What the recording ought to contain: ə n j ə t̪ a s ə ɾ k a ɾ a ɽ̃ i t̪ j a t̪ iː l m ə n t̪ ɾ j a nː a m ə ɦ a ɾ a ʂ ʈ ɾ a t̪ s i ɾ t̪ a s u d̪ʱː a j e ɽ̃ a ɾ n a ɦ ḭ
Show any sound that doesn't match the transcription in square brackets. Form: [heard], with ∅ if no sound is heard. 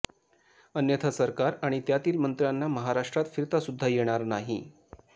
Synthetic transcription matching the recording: ə n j ə [t̪ʰ] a s ə ɾ k a ɾ a ɽ̃ i t̪ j a t̪ iː l m ə n t̪ ɾ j a nː a m ə ɦ a ɾ a ʂ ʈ ɾ a t̪ [f] i ɾ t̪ a s u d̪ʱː a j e ɽ̃ a ɾ n a ɦ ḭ